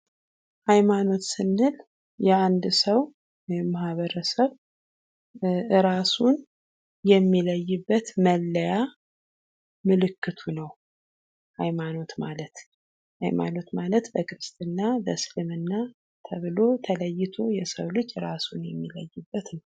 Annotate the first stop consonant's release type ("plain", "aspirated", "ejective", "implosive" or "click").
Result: plain